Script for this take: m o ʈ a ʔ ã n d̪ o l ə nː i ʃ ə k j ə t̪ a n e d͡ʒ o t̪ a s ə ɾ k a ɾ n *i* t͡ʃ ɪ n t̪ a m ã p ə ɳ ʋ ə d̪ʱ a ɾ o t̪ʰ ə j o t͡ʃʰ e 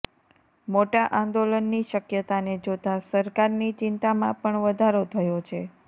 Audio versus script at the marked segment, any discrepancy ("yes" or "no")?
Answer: no